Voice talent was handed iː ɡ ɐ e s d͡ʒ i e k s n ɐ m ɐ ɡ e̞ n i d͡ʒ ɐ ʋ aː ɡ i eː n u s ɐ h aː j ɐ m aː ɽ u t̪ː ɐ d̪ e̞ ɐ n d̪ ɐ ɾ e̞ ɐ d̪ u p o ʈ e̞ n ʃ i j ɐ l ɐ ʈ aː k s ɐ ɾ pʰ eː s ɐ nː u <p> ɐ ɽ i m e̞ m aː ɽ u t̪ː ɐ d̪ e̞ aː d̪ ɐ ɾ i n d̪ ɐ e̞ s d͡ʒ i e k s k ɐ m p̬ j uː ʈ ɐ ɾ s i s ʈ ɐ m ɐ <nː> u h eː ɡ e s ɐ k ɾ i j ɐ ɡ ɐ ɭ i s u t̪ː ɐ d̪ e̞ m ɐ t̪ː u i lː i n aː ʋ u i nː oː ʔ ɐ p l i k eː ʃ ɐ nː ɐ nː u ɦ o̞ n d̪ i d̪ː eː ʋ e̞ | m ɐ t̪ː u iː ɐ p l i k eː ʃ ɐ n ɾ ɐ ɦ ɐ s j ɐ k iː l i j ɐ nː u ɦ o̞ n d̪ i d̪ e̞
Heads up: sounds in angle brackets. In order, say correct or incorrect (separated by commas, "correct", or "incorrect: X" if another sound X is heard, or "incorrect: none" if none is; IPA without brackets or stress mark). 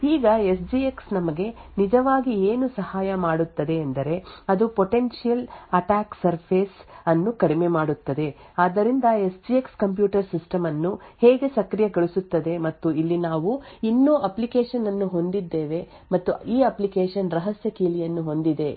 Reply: incorrect: k, correct